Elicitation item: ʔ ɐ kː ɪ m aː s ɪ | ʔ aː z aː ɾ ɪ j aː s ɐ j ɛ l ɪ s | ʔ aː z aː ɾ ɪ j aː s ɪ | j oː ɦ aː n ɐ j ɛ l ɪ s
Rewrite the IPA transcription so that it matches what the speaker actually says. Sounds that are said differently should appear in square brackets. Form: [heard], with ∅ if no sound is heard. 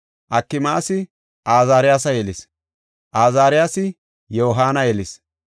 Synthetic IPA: ʔ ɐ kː ɪ m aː s ɪ | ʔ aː z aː ɾ ɪ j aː s ɐ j ɛ l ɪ s | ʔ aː z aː ɾ ɪ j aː s ɪ | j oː ɦ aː n ɐ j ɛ l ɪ s